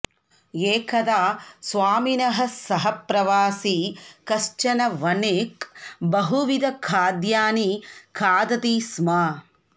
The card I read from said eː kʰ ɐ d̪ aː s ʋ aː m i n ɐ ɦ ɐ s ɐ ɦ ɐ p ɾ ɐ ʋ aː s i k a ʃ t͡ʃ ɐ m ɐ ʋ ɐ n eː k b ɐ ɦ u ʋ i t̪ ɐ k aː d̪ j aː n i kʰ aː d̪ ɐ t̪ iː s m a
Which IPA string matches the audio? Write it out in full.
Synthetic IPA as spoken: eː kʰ ɐ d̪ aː s ʋ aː m i n ɐ ɦ ɐ s ɐ ɦ ɐ p ɾ ɐ ʋ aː s i k ɐ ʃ t͡ʃ ɐ n ɐ ʋ ɐ n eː k b ɐ ɦ u ʋ i d̪ ɐ kʰ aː d̪ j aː n i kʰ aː d̪ ɐ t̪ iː s m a